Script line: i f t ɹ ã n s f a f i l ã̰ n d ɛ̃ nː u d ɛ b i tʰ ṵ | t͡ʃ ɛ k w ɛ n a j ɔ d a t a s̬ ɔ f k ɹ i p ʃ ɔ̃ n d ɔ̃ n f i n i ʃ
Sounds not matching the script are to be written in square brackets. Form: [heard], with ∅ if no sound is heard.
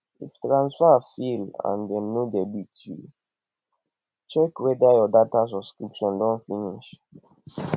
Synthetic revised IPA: i f t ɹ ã n s f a f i l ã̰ n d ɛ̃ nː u d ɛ b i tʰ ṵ | t͡ʃ ɛ k w ɛ [d] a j ɔ d a t a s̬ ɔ [s] k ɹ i p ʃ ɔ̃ n d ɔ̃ n f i n i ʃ